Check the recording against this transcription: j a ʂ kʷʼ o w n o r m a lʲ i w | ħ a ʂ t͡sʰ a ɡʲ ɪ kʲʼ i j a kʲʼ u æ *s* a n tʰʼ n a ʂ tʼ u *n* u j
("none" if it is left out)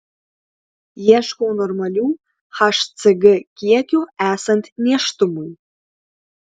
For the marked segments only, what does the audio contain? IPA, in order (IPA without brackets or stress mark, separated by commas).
s, m